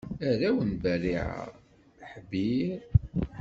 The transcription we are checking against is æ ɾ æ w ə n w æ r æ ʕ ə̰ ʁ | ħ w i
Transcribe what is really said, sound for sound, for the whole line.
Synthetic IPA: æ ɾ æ w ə n b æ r i ʕ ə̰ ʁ | ħ b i